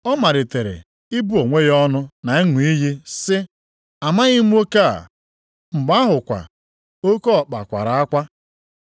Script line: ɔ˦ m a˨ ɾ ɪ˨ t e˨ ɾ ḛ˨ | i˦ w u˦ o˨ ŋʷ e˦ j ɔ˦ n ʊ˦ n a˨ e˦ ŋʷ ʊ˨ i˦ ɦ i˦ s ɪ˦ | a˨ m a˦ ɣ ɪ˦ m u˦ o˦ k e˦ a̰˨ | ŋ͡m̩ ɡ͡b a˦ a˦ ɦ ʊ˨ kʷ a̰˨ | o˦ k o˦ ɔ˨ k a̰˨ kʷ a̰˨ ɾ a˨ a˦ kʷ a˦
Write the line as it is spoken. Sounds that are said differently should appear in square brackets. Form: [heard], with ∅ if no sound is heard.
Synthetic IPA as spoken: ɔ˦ m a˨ ɾ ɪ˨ t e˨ ɾ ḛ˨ | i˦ [b] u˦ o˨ ŋʷ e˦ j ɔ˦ n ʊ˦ n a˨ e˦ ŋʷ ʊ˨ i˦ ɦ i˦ s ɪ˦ | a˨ m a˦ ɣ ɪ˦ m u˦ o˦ k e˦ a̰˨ | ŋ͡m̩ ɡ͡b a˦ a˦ ɦ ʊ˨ kʷ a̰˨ | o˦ k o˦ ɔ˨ [k͡p] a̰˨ kʷ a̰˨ ɾ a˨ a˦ kʷ a˦